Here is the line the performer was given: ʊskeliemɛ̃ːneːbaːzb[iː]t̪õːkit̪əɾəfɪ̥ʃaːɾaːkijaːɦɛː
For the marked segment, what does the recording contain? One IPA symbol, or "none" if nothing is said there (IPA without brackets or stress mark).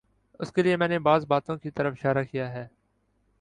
aː